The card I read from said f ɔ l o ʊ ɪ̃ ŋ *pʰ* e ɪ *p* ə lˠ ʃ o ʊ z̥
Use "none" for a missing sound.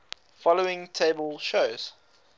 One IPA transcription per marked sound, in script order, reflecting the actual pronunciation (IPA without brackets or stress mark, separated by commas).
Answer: tʰ, b